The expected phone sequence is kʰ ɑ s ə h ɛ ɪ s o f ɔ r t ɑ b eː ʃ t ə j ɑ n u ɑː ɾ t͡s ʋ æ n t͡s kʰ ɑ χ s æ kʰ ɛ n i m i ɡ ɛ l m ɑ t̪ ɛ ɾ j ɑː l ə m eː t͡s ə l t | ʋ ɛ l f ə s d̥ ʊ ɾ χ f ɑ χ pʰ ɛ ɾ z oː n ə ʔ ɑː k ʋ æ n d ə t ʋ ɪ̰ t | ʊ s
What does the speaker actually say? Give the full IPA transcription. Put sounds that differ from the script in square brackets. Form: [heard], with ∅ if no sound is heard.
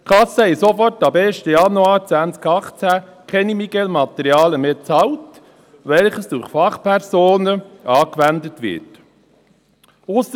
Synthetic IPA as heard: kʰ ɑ s ə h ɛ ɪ s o f ɔ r t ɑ b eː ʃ t ə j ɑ n u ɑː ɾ t͡s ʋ æ n t͡s [k] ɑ χ [t͡s] æ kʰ ɛ n i m i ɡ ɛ l m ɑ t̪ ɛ ɾ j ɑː l ə m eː t͡s [ɑ] l t | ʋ ɛ l [χ] ə s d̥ ʊ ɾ χ f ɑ χ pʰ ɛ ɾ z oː n ə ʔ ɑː k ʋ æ n d ə t ʋ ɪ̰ t | ʊ s